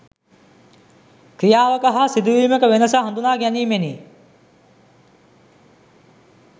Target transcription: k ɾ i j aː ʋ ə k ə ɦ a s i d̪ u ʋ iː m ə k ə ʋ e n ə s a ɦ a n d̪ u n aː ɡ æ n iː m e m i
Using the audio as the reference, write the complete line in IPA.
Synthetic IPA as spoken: k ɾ i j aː ʋ ə k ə ɦ a s i d̪ u ʋ iː m ə k ə ʋ e n ə s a ɦ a n d̪ u n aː ɡ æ n iː m e n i